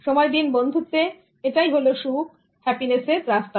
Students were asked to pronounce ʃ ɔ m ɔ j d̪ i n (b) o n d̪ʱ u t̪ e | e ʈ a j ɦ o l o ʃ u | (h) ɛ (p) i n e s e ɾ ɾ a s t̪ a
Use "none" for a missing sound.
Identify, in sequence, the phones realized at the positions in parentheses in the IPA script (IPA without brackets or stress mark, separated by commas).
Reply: b, h, p